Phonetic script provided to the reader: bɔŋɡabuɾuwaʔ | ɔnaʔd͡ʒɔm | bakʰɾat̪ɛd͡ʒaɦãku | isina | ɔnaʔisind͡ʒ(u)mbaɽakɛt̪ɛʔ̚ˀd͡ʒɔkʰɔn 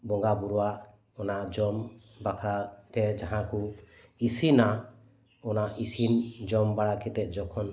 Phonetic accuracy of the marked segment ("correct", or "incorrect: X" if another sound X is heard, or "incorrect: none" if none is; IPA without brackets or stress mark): incorrect: ɔ